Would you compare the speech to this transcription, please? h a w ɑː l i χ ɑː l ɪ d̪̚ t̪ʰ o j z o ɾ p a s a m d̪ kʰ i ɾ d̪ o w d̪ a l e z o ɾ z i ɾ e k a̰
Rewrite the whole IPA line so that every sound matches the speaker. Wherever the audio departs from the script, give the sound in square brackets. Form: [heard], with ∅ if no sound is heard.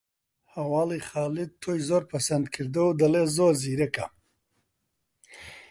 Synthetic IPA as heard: h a w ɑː l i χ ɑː l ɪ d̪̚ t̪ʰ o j z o ɾ p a s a [n] d̪ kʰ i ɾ d̪ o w d̪ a l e z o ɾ z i ɾ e k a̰